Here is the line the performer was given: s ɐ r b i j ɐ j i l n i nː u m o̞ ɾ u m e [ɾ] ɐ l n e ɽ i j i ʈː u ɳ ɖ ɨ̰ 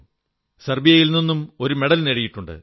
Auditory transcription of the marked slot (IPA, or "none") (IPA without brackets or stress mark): ɽ